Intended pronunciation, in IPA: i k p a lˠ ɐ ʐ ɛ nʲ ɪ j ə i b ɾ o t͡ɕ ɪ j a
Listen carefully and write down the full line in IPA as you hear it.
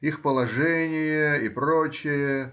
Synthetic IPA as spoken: i x p ə lˠ ɐ ʐ ɛ nʲ ɪ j ə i p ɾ o t͡ɕ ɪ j ə